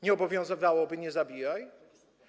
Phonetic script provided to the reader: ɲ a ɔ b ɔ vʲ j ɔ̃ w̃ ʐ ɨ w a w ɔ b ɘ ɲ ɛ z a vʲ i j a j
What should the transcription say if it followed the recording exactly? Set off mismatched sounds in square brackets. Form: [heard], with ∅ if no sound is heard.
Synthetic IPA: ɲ [ɛ] ɔ b ɔ vʲ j ɔ̃ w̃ [z] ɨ [v] a w ɔ b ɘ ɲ ɛ z a [bʲ] i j a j